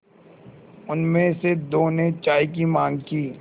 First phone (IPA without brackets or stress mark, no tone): ʊ